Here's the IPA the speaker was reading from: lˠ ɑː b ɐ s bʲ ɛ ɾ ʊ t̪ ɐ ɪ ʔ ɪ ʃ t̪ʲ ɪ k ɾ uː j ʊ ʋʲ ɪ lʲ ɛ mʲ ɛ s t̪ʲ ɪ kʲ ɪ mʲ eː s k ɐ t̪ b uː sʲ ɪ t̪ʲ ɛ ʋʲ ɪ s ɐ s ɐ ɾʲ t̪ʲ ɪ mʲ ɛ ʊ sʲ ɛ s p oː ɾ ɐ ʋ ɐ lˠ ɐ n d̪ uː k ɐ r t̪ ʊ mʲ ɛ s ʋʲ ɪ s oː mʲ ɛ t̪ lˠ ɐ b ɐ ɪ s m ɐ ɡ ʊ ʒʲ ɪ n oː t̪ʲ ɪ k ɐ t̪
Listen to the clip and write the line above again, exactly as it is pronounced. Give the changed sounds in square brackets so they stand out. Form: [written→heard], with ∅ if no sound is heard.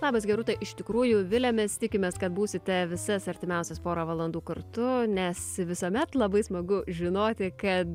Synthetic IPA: lˠ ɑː b ɐ s [bʲ→ɡʲ] ɛ ɾ ʊ t̪ ɐ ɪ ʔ ɪ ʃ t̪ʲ ɪ k ɾ uː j ʊ ʋʲ ɪ lʲ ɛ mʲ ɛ s t̪ʲ ɪ kʲ ɪ mʲ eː s k ɐ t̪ b uː sʲ ɪ t̪ʲ ɛ ʋʲ ɪ s ɐ s ɐ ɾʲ t̪ʲ ɪ mʲ ɛ ʊ sʲ ɛ s p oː ɾ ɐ ʋ ɐ lˠ ɐ n d̪ uː k ɐ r t̪ ʊ [mʲ→nʲ] ɛ s ʋʲ ɪ s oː mʲ ɛ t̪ lˠ ɐ b ɐ ɪ s m ɐ ɡ ʊ ʒʲ ɪ n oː t̪ʲ ɪ k ɐ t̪